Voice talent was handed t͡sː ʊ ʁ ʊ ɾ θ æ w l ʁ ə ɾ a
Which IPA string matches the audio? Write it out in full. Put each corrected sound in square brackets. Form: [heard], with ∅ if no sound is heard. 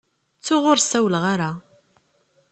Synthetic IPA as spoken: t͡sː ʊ ʁ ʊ ɾ [s] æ w l ʁ [a] ɾ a